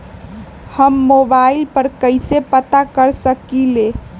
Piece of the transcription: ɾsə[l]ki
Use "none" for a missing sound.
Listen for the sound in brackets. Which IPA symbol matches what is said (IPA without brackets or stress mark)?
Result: none